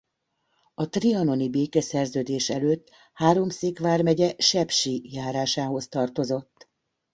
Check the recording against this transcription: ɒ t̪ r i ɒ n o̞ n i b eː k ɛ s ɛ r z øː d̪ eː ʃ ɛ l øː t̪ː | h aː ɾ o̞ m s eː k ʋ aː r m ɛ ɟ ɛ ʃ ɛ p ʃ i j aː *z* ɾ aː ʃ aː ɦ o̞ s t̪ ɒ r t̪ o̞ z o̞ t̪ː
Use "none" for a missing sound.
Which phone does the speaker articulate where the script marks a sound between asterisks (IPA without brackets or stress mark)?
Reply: none